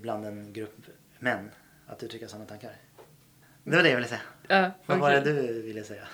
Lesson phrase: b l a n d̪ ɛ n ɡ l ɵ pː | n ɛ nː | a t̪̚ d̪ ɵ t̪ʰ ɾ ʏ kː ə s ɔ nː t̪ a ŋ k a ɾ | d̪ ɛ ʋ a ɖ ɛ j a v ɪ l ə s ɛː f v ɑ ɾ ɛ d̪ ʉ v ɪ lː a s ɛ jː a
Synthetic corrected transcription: b l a n d̪ ɛ n ɡ ɾ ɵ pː | m ɛ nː | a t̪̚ d̪ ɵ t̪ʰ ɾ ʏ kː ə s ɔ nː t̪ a ŋ k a ɾ | d̪ ɛ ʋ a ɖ ɛ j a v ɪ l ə s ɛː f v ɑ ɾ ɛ d̪ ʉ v ɪ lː ə s ɛ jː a